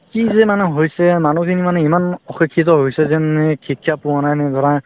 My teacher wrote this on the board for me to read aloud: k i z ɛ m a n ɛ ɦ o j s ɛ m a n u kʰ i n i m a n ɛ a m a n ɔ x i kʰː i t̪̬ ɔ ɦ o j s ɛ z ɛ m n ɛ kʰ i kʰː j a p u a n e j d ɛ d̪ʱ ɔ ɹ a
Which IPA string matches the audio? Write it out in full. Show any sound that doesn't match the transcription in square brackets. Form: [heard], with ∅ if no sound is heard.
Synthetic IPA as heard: k i z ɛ m a n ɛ ɦ o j s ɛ m a n u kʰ i n i m a n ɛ [i] m a n ɔ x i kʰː i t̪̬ ɔ ɦ o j s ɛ z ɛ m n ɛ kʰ i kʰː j a p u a n [a] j [n] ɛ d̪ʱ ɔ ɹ a